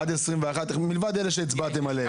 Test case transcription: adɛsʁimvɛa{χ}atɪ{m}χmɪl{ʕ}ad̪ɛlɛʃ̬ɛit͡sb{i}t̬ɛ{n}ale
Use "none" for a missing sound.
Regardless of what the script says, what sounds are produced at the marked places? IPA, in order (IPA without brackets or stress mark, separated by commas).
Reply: χ, none, v, a, m